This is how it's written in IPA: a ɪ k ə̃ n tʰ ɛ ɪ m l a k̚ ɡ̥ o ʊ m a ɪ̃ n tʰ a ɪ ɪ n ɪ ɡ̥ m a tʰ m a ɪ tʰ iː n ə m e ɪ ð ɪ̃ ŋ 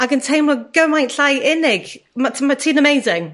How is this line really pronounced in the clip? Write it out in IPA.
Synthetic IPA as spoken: a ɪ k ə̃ n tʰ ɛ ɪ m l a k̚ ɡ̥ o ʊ m a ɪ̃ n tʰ a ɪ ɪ n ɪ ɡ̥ m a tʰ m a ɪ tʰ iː n ə m e ɪ z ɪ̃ ŋ